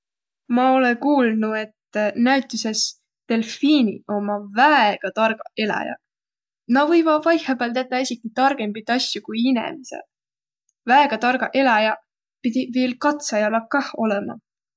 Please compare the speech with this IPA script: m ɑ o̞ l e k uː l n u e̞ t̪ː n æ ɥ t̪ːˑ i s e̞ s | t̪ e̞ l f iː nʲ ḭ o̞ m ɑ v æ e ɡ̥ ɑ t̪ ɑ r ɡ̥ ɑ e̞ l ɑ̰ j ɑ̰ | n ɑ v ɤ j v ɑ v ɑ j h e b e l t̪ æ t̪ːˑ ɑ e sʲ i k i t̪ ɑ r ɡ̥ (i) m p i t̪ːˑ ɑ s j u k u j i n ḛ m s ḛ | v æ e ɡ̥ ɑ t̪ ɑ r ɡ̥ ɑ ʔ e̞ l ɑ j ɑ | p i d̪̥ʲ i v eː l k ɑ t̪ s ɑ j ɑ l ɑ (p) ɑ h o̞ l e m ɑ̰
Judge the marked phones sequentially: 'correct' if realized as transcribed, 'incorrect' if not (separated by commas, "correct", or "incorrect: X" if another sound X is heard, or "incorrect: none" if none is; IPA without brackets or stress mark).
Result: incorrect: e, incorrect: k